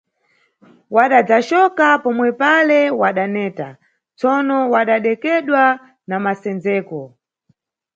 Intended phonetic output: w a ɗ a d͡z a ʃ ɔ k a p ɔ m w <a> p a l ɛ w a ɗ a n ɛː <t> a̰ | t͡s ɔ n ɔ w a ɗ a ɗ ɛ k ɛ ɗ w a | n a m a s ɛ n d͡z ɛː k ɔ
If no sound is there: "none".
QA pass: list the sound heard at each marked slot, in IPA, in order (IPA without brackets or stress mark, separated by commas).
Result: ɛ, t